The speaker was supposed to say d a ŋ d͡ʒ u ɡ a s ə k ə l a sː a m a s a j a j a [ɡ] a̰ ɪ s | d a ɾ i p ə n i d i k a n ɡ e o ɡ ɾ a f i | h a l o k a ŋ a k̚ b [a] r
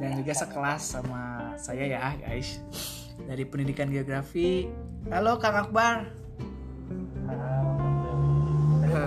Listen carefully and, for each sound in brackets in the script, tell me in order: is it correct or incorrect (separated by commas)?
correct, correct